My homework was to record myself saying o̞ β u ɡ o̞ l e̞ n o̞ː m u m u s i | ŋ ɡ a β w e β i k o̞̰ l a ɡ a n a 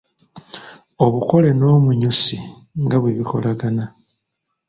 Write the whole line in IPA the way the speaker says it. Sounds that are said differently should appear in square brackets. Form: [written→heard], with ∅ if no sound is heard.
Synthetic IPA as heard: o̞ β u [ɡ→k] o̞ l e̞ n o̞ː m u [m→ɲ] u s i | ŋ ɡ a β w e β i k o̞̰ l a ɡ a n a